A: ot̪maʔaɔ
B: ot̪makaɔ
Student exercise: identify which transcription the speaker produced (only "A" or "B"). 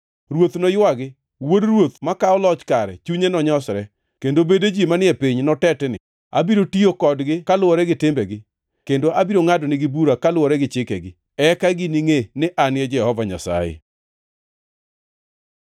B